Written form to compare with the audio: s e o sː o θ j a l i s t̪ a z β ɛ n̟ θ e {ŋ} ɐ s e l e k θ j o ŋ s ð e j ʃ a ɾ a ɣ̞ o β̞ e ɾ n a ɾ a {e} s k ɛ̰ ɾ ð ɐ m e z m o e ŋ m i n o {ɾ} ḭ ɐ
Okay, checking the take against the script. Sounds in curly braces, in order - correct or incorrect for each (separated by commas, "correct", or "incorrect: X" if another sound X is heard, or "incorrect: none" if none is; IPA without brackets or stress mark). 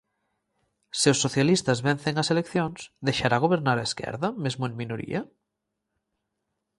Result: correct, correct, correct